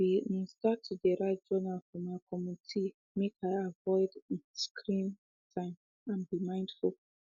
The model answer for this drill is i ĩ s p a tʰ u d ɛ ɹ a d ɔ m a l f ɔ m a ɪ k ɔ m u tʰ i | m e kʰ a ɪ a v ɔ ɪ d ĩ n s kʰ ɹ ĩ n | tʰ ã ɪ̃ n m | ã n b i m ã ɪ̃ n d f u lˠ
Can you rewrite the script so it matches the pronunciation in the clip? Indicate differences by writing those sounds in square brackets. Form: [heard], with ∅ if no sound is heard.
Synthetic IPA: i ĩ s [t] a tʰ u d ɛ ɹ a [d͡ʒ] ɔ [n] a l f ɔ m a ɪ k ɔ m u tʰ i | m e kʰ a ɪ a v ɔ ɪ d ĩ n s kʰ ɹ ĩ n | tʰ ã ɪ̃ [∅] m | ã n b i m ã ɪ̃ n d f u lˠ

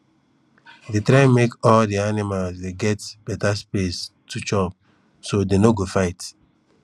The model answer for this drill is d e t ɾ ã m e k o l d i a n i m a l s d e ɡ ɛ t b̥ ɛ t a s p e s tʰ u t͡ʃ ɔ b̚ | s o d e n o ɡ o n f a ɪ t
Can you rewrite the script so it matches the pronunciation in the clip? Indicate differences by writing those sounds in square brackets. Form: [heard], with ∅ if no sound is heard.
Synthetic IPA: d e t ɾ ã m e k [ɔ] l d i a n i m a l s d e ɡ ɛ t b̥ ɛ t a s p e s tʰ u t͡ʃ ɔ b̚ | s o d e n o ɡ o [∅] f a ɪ t

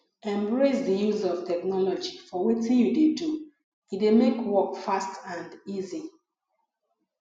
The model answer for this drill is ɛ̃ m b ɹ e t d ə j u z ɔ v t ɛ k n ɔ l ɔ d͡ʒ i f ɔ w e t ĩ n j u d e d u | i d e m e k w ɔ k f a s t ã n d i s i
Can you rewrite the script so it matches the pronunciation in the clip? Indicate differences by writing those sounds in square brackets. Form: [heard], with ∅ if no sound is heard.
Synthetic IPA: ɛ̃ m b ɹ e [s] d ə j u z ɔ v t ɛ k n ɔ l ɔ d͡ʒ i f ɔ w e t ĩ n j u d e d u | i d e m e k w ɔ k f a s t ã n d i [z] i

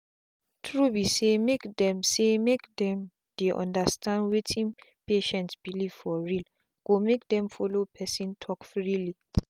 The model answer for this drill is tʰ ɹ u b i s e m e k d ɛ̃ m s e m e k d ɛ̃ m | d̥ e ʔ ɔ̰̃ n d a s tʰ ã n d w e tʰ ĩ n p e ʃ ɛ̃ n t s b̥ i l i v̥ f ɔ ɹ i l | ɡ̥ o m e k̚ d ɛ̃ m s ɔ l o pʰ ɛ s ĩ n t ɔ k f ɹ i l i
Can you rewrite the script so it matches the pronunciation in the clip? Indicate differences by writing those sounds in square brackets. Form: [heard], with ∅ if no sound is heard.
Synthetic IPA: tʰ ɹ u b i s e m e k d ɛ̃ m s e m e k d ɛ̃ m | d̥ e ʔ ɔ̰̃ n d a s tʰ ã n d w e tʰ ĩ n p e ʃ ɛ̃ n t s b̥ i l i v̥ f ɔ ɹ i l | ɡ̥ o m e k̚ d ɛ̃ m [f] ɔ l o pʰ ɛ s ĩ n [tʰ] ɔ k f ɹ i l i

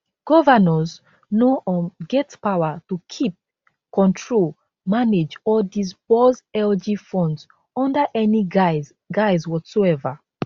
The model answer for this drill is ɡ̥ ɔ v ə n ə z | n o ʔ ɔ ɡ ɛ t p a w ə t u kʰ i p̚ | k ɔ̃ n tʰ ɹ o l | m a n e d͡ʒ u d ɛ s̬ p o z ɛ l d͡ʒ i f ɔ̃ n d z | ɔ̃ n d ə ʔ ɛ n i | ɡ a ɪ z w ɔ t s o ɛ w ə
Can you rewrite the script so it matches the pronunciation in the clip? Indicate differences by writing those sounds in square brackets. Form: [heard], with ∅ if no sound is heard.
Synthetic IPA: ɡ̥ ɔ v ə n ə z | n o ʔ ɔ ɡ ɛ t p a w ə t u kʰ i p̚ | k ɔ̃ n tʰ ɹ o l | m a n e d͡ʒ [ɔ] d [i] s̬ p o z ɛ l d͡ʒ i f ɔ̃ n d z | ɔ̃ n d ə ʔ ɛ n i | ɡ a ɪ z w ɔ t s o ɛ [v] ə

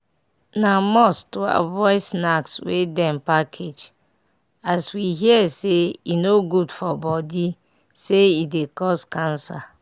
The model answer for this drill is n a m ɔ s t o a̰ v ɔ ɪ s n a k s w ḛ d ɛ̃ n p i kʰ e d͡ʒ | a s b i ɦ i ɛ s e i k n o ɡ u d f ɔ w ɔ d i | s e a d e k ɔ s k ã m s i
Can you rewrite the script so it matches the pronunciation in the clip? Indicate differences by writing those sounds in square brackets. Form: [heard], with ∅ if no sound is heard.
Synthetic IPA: n a m ɔ s t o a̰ v ɔ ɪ s n a k s w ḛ d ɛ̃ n p [a] kʰ e d͡ʒ | a s [w] i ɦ i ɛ s e i [∅] n o ɡ u d f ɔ [b] ɔ d i | s e [i] d e k ɔ s k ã [n] s [a]

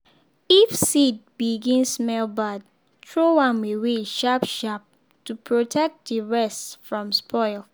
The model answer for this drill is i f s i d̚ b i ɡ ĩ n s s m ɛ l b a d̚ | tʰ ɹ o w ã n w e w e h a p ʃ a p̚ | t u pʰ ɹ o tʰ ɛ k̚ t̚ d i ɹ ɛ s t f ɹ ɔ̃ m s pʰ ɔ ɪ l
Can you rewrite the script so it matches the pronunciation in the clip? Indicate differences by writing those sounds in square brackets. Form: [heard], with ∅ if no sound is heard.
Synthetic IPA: i f s i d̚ b i ɡ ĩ n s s m ɛ l b a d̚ | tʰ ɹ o w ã n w e w e [ʃ] a p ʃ a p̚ | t u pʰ ɹ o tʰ ɛ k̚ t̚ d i ɹ ɛ s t f ɹ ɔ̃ m s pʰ ɔ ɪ l

